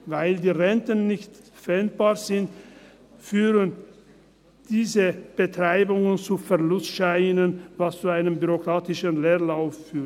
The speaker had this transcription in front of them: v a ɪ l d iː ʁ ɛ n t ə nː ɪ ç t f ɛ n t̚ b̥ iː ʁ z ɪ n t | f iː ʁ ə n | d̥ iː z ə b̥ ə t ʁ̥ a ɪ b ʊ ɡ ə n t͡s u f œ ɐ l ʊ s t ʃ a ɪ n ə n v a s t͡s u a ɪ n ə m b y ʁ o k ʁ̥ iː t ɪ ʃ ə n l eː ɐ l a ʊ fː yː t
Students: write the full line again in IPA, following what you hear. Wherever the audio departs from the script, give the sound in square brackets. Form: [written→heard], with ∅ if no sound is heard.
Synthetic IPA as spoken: v a ɪ l d iː ʁ ɛ n t ə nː ɪ ç t f ɛ n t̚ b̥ [iː→aː] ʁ z ɪ n t | f [iː→yː] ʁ ə n | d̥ iː z ə b̥ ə t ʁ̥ a ɪ b ʊ [ɡ→ŋ] ə n t͡s u f [œ→ɛ] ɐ l ʊ s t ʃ a ɪ n ə n v a s t͡s u a ɪ n ə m b y ʁ o k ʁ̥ [iː→aː] t ɪ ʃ ə n l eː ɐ l a ʊ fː yː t